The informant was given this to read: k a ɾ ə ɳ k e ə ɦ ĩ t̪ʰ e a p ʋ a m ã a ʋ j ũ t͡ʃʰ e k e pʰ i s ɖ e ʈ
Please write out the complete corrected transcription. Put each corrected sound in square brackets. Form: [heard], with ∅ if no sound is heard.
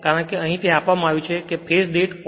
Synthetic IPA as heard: k a ɾ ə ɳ k e ə ɦ ĩ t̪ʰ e a p ʋ a m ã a ʋ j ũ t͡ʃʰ e k e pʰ [e] s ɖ e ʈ